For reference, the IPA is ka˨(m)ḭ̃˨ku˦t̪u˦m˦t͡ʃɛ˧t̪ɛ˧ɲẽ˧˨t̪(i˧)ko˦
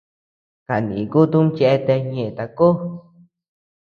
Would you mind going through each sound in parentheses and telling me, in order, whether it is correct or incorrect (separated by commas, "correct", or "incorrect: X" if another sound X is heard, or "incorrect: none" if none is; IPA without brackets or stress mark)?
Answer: incorrect: n, incorrect: a˧